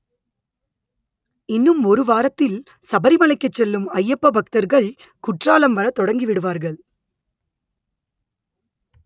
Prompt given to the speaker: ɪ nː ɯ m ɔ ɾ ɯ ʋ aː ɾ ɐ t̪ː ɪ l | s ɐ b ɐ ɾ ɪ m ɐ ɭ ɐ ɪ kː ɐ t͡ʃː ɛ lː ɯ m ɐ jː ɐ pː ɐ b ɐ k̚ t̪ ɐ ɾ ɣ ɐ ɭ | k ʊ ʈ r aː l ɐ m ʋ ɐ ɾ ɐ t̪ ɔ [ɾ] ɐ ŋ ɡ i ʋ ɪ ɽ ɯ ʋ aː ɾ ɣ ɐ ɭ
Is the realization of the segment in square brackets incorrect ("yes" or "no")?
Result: yes